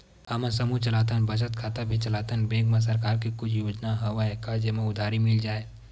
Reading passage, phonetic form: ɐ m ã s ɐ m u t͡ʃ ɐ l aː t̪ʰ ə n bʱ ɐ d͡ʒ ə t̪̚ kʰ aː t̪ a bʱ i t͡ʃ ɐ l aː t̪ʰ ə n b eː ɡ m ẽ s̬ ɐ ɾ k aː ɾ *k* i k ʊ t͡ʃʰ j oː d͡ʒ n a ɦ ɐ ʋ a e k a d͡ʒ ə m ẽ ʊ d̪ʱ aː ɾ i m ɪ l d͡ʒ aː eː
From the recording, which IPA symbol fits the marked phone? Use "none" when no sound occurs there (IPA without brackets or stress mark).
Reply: k